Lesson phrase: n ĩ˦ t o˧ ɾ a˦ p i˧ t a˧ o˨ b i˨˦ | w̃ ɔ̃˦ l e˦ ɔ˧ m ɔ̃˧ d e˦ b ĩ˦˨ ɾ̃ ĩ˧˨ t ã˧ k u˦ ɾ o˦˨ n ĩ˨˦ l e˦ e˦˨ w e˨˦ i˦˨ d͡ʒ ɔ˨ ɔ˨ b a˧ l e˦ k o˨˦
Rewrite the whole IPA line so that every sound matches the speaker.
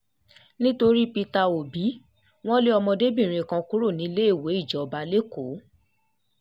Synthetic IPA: n ĩ˦ t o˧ ɾ i˦ p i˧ t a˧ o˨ b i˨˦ | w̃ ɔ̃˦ l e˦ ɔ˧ m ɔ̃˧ d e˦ b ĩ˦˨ ɾ̃ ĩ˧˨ k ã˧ k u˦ ɾ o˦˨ n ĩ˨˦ l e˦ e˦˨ w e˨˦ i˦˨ d͡ʒ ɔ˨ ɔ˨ b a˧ l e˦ k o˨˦

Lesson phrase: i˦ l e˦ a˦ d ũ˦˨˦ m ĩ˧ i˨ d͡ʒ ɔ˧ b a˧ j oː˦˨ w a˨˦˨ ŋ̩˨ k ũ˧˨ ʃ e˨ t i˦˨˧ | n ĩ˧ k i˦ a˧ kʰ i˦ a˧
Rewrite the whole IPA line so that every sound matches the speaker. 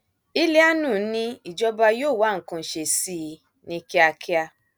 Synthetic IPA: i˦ l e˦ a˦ n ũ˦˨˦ n ĩ˧ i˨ d͡ʒ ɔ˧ b a˧ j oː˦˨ w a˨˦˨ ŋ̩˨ k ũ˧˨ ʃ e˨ s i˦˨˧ | n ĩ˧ k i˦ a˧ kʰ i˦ a˧

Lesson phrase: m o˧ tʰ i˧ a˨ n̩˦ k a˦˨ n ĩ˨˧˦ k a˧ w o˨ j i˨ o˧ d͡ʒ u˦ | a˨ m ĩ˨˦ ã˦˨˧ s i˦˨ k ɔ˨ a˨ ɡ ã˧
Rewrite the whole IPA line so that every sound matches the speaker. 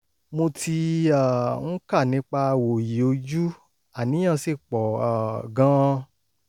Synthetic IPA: m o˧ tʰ i˧ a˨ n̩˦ k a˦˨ n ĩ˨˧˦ k͡p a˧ w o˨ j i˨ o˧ d͡ʒ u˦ | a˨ n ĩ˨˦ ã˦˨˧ s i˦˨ k͡p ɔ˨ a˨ ɡ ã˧

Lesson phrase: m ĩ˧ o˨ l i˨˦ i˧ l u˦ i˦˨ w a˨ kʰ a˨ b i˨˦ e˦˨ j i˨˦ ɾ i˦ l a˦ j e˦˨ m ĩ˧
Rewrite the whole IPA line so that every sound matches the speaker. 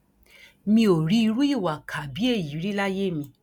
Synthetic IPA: m ĩ˧ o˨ ɾ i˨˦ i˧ ɾ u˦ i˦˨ w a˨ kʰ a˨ b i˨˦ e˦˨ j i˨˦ ɾ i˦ l a˦ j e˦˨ m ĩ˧

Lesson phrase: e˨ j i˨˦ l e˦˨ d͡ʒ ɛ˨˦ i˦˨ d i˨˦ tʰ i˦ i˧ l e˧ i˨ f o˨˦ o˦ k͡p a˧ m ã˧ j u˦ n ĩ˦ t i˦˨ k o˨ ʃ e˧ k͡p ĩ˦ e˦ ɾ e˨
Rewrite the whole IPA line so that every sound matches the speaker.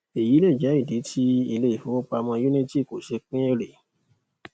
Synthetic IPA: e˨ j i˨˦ l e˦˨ d͡ʒ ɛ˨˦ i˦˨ d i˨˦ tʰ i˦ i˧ l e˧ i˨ f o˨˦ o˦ k͡p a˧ m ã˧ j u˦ n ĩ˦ t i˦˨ k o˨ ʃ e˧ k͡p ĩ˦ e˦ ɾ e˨

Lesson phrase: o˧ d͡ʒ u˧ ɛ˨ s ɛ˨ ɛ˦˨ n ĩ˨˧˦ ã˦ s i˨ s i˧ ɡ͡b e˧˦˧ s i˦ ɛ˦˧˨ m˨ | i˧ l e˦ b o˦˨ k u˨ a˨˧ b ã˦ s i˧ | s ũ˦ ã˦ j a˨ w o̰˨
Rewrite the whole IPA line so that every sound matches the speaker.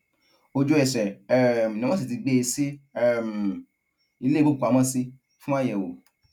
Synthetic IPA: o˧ d͡ʒ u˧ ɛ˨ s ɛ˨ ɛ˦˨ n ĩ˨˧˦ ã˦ s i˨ t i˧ ɡ͡b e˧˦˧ s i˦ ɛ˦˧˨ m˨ | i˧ l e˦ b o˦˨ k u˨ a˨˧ m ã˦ s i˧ | f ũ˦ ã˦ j ɛ˨ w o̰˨

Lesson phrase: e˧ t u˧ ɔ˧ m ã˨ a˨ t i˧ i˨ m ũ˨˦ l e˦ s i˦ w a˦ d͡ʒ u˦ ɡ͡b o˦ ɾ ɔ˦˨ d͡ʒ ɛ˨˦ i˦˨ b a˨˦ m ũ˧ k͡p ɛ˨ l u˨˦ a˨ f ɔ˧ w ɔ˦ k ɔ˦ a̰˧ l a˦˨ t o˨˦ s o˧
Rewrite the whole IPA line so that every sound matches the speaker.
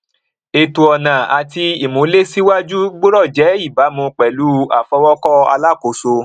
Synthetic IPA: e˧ t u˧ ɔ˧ n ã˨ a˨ t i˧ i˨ m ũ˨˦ l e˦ s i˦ w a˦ d͡ʒ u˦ ɡ͡b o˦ ɾ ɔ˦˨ d͡ʒ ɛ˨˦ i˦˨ b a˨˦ m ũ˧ k͡p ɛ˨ l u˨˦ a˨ f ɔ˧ w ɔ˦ k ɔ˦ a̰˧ l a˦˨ k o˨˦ s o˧

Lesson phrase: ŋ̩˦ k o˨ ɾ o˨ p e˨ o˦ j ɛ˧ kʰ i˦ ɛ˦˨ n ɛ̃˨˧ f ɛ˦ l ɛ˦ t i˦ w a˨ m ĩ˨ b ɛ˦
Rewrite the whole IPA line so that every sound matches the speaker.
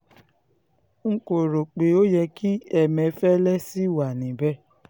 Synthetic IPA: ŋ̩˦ k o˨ ɾ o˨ k͡p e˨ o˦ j ɛ˧ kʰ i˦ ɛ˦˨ m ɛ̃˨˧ f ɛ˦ l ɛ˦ s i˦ w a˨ n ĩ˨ b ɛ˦

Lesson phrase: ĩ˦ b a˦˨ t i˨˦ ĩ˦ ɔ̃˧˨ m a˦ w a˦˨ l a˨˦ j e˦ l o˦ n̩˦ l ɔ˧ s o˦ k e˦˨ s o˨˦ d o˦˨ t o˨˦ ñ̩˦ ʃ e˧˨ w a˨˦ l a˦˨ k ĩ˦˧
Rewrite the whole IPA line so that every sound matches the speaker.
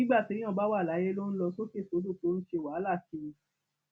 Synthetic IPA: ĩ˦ ɡ͡b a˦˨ t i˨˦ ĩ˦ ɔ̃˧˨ b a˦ w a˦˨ l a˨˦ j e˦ l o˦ n̩˦ l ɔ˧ s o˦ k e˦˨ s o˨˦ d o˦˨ t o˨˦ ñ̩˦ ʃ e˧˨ w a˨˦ l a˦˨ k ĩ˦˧

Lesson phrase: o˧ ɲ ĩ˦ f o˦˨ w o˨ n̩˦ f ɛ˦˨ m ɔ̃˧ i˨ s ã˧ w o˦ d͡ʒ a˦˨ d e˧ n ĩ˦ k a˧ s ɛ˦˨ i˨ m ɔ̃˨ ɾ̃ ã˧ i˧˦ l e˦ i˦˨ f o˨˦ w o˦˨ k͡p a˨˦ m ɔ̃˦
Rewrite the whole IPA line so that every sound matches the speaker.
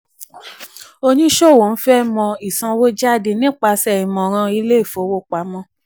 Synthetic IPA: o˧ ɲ ĩ˦ ʃ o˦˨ w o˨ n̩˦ f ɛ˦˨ m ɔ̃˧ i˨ s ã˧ w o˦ d͡ʒ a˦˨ d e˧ n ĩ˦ k͡p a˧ s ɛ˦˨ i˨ m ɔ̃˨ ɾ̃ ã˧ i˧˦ l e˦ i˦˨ f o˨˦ w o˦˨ k͡p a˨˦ m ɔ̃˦

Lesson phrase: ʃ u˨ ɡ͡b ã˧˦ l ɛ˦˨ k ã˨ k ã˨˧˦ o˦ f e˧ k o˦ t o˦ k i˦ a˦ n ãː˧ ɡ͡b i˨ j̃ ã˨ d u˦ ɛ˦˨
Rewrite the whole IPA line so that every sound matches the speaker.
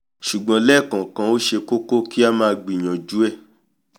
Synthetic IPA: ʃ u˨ ɡ͡b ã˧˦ l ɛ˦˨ k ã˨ k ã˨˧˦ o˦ ʃ e˧ k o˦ k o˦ k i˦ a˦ m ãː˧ ɡ͡b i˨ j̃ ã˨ d͡ʒ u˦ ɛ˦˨

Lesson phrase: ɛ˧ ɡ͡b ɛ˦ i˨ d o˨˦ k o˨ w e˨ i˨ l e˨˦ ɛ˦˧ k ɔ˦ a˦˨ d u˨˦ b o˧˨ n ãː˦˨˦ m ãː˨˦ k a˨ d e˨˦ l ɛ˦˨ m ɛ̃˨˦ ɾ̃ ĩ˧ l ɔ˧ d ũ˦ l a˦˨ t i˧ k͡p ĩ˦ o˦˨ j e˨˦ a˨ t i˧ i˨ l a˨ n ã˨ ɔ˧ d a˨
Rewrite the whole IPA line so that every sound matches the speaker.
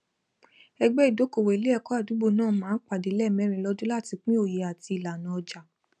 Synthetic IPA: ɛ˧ ɡ͡b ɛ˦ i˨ d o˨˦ k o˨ w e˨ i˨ l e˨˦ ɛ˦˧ k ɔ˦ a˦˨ d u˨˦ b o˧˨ n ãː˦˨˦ m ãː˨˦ k͡p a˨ d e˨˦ l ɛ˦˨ m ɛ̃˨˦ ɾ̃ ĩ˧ l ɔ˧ d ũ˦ l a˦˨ t i˧ k͡p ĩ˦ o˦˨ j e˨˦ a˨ t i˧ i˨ l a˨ n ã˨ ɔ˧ d͡ʒ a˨

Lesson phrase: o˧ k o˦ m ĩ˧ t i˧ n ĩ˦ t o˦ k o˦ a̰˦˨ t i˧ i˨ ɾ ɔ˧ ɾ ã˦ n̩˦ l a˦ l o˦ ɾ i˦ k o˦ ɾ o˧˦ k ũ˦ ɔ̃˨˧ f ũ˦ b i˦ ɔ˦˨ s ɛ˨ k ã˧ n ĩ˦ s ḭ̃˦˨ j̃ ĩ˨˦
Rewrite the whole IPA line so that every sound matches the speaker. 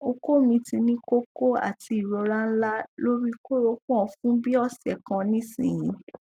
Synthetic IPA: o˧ k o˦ m ĩ˧ t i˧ n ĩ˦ k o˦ k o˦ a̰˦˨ t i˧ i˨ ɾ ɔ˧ ɾ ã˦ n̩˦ l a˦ l o˦ ɾ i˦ k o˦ ɾ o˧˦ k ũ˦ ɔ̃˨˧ f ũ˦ b i˦ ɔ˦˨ s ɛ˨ k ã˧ n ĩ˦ s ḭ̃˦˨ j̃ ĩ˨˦

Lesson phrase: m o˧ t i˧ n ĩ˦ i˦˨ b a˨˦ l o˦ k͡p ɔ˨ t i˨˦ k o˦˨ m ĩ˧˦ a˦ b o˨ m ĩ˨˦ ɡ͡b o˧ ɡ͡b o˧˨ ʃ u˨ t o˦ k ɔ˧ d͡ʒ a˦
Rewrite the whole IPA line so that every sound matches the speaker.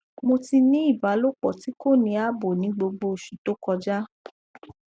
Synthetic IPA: m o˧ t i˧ n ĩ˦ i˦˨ b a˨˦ l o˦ k͡p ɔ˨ t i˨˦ k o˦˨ n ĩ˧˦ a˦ b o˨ n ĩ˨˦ ɡ͡b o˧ ɡ͡b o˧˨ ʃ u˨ t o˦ k ɔ˧ d͡ʒ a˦

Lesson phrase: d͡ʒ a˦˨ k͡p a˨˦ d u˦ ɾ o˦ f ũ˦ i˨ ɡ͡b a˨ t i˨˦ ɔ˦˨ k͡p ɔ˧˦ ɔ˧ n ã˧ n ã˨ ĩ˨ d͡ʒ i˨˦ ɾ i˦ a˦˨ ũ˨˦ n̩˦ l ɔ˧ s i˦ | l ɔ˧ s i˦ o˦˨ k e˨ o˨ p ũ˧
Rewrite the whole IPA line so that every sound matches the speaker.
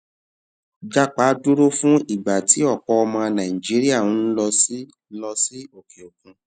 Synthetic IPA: d͡ʒ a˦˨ k͡p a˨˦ d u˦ ɾ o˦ f ũ˦ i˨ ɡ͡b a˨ t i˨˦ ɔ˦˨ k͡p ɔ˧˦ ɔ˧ m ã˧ n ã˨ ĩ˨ d͡ʒ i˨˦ ɾ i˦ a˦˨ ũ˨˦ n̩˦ l ɔ˧ s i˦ | l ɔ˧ s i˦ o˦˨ k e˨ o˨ k ũ˧

